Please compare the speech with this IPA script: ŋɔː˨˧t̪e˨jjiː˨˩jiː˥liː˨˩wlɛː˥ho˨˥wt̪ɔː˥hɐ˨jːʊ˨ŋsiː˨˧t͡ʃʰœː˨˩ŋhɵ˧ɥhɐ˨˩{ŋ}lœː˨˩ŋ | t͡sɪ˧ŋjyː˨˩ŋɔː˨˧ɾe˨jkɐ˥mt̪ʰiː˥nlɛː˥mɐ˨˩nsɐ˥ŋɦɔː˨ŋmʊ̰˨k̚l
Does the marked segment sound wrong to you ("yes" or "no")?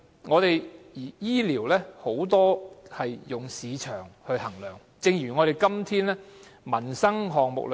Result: no